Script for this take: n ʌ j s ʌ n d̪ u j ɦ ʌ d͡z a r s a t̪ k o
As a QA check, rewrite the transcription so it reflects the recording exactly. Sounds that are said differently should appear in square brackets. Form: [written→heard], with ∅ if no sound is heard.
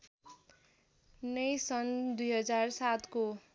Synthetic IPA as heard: n ʌ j s ʌ n d̪ u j ɦ ʌ d͡z a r s a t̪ k o